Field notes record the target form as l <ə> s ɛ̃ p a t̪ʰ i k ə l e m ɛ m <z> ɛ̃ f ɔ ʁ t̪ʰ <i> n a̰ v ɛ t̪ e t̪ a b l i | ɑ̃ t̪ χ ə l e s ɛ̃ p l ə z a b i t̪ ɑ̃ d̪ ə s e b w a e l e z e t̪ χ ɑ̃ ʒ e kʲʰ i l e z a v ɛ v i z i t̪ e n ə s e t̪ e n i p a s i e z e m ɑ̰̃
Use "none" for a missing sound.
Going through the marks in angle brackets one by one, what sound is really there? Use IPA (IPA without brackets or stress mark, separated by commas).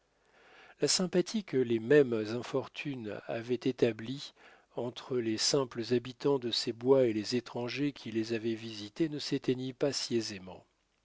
a, z, y